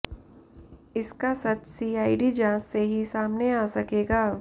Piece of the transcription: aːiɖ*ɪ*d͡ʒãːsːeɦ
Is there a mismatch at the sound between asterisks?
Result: yes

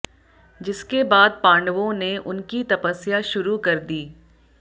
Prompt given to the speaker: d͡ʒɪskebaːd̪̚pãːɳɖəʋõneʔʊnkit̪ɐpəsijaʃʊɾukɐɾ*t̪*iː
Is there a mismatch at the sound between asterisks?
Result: yes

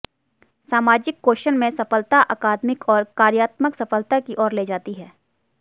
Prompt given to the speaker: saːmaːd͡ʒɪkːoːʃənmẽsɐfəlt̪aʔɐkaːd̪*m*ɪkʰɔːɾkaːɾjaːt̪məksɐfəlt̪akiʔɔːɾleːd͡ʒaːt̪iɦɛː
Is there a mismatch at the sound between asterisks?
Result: no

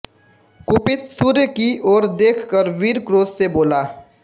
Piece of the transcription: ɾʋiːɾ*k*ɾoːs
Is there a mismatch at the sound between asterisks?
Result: no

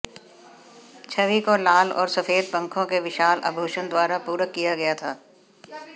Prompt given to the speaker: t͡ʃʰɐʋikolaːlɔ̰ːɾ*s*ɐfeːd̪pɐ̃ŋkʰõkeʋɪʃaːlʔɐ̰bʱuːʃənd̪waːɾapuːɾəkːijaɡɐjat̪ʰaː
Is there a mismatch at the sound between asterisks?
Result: no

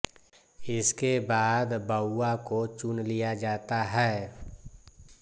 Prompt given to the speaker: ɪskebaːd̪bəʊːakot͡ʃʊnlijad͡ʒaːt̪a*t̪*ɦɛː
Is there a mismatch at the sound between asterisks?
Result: yes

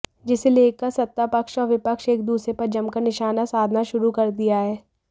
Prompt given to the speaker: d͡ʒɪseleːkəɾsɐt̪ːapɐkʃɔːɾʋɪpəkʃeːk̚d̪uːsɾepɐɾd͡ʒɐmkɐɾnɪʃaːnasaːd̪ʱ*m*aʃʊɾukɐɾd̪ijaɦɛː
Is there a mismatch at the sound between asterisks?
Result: yes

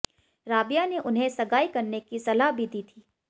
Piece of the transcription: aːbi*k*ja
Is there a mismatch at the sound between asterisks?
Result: yes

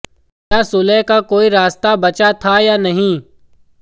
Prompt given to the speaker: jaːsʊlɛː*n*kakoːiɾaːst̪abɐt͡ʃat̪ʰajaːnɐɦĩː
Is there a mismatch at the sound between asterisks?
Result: yes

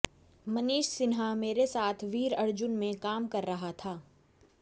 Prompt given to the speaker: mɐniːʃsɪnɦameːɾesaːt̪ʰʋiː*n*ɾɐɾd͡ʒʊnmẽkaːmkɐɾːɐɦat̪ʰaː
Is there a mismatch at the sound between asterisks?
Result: yes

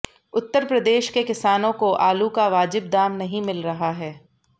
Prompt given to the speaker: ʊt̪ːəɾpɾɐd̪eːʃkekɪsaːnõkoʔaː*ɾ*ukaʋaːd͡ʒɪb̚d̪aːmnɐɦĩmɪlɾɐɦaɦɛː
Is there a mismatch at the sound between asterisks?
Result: yes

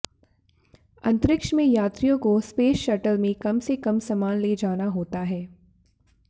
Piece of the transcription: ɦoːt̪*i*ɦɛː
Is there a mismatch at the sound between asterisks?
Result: yes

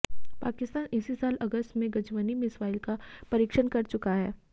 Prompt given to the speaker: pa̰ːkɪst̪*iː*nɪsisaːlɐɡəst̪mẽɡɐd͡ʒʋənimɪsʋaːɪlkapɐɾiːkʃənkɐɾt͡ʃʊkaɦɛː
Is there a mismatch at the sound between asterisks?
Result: yes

